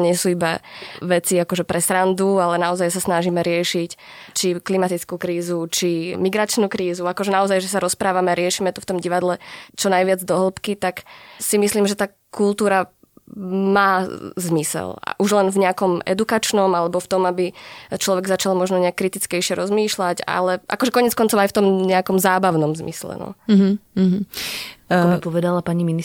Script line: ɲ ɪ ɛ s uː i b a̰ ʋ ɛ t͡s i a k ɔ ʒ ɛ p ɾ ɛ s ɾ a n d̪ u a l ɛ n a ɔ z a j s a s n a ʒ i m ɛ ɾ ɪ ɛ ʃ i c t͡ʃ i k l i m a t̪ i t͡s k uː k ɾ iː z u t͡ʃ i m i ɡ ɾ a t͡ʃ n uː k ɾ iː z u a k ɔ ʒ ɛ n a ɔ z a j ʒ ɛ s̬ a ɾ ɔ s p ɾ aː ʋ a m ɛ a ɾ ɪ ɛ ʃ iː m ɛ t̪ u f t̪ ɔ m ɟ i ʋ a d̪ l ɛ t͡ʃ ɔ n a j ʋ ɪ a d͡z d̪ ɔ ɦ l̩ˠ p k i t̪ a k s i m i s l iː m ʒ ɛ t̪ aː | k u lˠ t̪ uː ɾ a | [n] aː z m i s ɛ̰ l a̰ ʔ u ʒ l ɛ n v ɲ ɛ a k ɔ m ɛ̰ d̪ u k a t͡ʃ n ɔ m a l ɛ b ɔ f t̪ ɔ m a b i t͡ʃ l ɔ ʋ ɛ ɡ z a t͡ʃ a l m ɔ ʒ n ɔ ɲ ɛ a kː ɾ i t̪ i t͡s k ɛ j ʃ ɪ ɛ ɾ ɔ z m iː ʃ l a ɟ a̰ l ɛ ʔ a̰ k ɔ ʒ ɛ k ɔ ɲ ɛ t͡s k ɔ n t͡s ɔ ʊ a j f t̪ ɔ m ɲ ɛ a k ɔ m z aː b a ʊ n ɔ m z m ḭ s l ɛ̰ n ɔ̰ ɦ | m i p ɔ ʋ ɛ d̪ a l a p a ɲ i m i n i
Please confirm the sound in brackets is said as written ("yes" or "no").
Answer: no